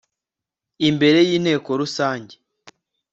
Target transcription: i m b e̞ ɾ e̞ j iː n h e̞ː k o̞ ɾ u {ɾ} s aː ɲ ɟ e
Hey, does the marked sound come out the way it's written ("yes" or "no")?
no